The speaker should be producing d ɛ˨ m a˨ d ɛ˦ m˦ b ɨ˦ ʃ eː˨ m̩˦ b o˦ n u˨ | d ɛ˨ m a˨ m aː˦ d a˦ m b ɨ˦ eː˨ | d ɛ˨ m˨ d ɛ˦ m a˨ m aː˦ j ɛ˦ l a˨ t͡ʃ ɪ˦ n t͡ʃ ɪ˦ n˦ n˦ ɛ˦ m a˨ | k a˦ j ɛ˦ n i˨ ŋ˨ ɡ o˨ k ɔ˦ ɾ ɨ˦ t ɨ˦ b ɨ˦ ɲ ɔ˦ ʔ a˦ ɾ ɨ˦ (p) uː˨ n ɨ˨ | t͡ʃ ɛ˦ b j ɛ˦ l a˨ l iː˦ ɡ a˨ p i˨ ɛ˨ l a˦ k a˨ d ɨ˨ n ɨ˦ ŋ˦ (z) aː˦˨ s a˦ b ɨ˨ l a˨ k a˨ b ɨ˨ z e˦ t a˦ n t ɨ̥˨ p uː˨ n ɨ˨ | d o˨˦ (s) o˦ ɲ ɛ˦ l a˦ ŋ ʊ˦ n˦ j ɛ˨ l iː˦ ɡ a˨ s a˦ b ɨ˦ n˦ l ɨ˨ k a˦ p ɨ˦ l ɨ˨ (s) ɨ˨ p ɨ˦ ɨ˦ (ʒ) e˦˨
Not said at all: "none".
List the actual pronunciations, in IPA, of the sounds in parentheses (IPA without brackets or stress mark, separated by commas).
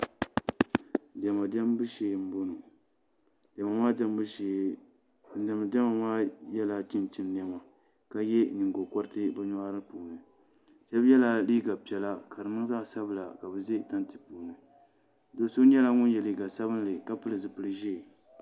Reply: p, z, s, z, ʒ